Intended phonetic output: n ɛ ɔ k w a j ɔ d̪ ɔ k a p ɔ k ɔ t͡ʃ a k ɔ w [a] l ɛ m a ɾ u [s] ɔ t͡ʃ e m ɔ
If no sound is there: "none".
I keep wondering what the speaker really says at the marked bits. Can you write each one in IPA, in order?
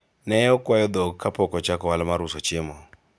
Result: a, s

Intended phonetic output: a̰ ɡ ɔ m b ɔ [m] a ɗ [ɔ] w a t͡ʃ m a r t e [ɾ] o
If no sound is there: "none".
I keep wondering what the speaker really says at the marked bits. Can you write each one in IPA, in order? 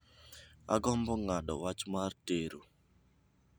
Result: ŋ, ɔ, ɾ

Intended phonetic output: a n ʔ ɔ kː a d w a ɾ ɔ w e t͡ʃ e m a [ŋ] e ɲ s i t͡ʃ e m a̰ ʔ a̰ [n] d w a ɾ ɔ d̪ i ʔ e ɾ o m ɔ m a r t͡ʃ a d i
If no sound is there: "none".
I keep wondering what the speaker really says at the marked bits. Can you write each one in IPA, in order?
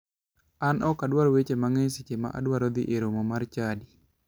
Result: ŋ, none

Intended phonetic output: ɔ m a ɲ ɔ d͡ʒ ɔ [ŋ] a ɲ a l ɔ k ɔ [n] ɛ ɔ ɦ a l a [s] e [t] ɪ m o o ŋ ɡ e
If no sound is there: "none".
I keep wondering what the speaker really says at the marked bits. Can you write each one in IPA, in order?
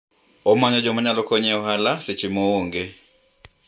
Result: m, ɲ, s, t͡ʃ

